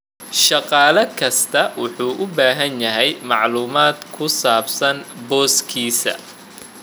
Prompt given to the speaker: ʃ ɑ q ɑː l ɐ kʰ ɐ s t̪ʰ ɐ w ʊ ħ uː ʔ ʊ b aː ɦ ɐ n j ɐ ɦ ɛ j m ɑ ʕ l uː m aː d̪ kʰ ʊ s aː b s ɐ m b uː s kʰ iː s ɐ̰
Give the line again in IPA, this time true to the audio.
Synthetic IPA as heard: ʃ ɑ q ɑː l ɐ kʰ ɐ s t̪ʰ ɐ w ʊ ħ uː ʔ ʊ b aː ɦ ɐ n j ɐ ɦ ɛ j m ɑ ʕ l uː m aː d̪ kʰ ʊ s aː b s ɐ n b ɔː s kʰ iː s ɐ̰